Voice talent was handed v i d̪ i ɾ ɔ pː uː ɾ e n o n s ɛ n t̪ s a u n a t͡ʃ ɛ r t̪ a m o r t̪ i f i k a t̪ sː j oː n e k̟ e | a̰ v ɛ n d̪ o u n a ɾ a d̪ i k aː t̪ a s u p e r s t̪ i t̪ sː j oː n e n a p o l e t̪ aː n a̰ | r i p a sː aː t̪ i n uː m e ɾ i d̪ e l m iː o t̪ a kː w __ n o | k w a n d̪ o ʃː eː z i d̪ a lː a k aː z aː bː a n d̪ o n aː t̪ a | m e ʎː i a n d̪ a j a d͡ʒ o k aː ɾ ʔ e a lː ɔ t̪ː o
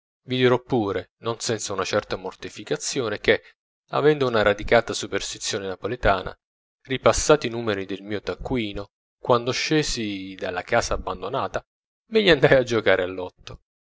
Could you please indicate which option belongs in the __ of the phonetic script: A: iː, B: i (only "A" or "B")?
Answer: A